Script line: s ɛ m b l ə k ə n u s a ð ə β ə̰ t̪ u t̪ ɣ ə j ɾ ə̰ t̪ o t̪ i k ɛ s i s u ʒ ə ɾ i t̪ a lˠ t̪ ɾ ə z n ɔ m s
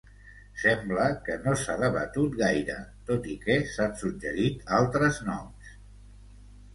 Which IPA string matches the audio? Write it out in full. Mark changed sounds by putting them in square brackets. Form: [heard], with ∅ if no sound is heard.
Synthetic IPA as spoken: s ɛ m b l ə k ə n [o] s a ð ə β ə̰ t̪ u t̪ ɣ [a] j ɾ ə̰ t̪ o t̪ i k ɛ s [a] s u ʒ ə ɾ i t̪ a lˠ t̪ ɾ ə z n ɔ m s